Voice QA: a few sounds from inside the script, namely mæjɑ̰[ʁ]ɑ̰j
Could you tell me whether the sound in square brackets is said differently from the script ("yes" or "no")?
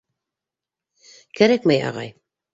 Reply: no